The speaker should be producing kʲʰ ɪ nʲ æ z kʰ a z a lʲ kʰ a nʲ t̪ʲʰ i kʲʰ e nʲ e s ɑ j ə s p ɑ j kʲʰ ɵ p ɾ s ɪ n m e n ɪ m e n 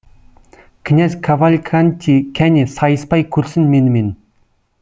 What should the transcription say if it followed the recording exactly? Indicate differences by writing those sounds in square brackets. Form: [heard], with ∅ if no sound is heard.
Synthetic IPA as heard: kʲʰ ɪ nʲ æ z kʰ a [v] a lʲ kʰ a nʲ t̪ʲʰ i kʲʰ [æ] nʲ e s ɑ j ə s p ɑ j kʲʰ ɵ [∅] ɾ s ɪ n m e n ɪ m e n